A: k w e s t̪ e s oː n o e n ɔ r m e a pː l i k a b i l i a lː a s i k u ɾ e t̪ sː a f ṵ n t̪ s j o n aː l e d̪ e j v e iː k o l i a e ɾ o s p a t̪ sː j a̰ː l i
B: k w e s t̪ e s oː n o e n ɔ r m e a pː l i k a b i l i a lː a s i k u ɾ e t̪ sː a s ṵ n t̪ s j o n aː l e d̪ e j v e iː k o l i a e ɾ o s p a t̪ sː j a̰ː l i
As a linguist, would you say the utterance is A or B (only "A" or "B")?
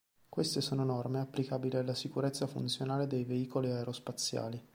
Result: A